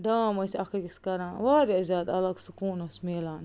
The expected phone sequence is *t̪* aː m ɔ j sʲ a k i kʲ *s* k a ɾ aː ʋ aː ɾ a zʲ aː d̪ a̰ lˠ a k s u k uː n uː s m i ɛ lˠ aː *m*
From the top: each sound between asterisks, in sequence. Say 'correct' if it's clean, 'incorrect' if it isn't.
incorrect, correct, incorrect

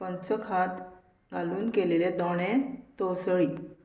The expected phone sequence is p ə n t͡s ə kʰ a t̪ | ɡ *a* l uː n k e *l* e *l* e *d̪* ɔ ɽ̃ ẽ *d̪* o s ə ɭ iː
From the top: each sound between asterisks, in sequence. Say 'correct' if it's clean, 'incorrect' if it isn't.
correct, correct, correct, correct, incorrect

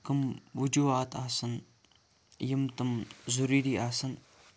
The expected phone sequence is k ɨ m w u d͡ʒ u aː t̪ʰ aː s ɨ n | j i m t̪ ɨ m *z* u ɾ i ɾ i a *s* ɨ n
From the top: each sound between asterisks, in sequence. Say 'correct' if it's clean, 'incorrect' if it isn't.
correct, correct

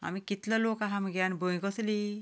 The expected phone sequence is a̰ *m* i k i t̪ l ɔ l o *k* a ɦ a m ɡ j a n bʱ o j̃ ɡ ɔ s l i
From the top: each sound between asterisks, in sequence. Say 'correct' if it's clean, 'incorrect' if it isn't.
correct, correct

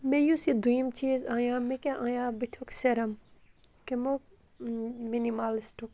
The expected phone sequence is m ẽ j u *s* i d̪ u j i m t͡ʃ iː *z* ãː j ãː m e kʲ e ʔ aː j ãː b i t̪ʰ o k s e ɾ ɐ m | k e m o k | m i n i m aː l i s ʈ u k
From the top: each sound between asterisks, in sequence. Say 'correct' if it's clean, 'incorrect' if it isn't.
correct, correct

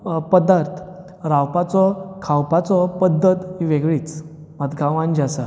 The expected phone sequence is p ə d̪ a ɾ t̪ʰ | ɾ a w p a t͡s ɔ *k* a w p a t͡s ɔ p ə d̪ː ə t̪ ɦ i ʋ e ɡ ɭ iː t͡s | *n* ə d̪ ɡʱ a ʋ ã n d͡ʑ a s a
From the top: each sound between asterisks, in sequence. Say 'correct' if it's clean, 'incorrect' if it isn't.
incorrect, incorrect

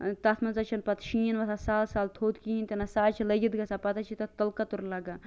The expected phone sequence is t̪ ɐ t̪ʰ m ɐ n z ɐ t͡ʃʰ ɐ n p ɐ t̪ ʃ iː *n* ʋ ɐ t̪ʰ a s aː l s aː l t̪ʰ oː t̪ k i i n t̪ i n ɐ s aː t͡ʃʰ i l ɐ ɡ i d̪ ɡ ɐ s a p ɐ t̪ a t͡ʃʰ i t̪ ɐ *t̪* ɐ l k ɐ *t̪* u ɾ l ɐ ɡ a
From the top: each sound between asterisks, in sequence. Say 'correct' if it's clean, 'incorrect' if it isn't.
correct, correct, correct

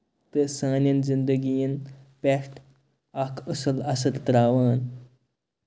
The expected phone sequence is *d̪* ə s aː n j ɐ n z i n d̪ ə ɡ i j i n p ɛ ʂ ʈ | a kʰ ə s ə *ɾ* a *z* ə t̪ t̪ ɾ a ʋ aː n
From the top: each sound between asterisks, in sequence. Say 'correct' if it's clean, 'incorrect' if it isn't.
incorrect, incorrect, incorrect

